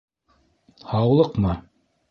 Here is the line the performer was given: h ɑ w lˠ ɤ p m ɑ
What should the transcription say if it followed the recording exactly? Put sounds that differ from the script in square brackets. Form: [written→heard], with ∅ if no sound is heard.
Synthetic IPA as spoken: h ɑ w lˠ ɤ [p→q] m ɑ